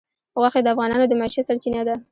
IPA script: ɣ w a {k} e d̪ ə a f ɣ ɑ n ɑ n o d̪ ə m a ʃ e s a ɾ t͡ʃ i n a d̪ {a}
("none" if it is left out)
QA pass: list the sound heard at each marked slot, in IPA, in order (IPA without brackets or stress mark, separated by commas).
x, a